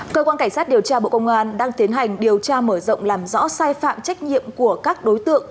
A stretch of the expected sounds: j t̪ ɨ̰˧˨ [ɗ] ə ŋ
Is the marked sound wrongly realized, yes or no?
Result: yes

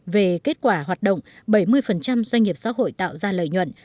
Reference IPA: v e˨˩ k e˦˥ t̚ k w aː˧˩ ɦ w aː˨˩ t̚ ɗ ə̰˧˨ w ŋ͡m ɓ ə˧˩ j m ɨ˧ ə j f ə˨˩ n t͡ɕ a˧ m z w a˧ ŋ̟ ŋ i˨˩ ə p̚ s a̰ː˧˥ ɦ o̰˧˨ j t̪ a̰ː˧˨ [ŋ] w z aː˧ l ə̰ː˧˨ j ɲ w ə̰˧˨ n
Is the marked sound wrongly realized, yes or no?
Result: yes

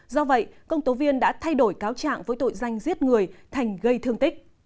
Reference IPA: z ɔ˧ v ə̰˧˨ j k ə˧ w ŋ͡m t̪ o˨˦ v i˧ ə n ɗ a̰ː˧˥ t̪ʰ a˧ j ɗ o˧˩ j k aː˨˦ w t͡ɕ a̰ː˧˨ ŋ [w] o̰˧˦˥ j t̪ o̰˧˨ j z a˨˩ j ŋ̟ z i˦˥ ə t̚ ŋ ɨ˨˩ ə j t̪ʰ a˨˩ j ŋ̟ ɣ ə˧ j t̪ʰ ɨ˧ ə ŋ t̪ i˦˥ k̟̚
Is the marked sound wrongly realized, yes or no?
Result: yes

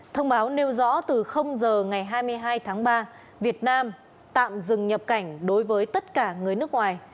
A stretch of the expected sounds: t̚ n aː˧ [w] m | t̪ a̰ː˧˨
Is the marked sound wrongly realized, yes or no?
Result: yes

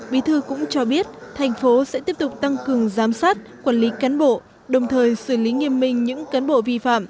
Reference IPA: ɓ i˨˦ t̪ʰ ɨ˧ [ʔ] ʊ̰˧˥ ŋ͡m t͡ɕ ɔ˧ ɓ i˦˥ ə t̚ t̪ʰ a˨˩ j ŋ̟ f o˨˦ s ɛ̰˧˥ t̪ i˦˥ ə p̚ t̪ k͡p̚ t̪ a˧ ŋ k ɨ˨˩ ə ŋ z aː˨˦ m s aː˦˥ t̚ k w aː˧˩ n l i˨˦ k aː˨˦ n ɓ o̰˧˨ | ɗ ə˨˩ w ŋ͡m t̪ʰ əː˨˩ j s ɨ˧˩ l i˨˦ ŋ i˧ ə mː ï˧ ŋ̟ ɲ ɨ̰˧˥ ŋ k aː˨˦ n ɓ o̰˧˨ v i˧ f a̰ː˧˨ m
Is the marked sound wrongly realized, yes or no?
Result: yes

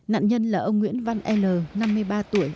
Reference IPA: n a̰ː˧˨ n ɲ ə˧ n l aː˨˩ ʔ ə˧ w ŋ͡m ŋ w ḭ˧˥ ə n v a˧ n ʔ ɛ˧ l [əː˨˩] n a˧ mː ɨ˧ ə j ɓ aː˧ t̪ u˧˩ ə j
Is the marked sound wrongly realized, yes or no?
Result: no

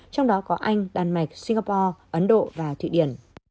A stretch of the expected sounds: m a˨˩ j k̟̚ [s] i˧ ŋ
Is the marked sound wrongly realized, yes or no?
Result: no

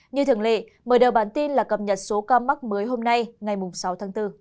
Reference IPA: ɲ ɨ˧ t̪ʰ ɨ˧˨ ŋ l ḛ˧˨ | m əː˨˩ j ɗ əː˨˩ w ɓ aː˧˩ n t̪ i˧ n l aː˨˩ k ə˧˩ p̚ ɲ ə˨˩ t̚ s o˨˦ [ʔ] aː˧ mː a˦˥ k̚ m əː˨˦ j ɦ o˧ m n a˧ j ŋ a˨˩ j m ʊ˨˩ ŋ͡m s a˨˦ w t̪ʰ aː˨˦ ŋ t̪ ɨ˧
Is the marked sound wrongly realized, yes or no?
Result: yes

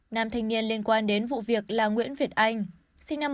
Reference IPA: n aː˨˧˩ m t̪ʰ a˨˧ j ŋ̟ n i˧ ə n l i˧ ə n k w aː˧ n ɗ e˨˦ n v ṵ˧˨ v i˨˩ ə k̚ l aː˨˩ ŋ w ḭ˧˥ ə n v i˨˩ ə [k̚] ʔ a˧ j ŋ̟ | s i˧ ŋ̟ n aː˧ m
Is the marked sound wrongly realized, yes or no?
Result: yes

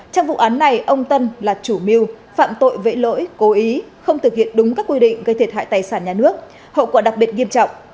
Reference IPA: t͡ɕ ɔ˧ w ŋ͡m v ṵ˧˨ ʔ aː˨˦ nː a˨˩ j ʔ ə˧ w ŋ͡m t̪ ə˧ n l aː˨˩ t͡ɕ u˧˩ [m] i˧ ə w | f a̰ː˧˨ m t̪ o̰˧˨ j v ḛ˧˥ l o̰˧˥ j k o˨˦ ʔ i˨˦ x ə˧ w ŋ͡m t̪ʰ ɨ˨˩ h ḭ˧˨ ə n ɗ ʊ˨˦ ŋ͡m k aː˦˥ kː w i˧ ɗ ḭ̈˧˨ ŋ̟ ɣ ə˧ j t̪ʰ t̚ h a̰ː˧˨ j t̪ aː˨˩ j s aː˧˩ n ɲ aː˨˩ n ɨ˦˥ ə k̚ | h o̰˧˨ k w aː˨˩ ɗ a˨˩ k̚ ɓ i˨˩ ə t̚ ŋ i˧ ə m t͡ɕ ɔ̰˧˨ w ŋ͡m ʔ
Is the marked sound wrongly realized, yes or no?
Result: no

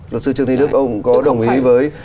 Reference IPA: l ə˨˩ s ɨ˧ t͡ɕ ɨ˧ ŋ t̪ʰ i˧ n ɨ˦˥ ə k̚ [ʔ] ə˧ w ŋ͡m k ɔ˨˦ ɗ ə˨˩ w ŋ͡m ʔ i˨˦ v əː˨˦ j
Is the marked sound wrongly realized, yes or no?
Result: no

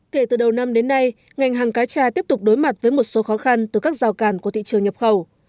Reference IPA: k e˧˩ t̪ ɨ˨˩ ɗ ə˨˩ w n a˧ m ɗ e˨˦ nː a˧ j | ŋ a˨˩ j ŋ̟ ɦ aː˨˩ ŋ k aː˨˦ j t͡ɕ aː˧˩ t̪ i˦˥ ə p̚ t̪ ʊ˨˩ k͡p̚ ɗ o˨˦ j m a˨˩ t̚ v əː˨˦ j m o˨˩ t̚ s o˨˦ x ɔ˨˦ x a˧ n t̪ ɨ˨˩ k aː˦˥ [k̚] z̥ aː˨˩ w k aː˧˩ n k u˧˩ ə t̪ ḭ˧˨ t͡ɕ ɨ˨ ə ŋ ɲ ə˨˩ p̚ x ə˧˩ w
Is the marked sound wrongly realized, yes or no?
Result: no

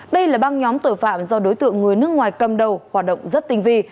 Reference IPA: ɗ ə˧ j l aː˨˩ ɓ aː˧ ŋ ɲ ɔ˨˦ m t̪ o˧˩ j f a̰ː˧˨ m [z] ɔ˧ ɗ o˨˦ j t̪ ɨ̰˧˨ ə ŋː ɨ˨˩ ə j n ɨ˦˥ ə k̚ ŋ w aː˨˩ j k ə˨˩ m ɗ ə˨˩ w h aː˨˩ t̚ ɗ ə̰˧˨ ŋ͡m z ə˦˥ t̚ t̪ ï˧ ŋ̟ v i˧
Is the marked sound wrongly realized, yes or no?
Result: no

